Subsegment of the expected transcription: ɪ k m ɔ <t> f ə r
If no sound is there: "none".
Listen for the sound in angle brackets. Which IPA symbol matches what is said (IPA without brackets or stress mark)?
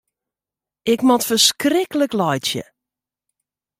t